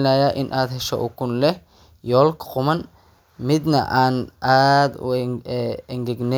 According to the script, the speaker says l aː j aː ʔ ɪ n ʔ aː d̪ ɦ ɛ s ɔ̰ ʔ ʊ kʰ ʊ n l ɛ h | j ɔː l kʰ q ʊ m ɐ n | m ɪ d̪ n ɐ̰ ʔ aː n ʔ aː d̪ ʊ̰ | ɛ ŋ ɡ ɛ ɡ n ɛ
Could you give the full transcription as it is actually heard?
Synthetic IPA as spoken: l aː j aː ʔ ɪ n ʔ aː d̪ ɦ ɛ ʃ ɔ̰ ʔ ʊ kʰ ʊ n l ɛ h | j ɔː l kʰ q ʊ m ɐ n | m ɪ d̪ n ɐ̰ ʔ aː n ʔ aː d̪ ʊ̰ | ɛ ŋ ɡ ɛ ɡ n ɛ